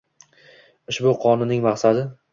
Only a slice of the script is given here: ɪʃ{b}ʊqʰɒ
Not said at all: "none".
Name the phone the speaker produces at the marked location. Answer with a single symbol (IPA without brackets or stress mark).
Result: b